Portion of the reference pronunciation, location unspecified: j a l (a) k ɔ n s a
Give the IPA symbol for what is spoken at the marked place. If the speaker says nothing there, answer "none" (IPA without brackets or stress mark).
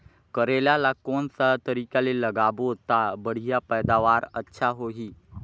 a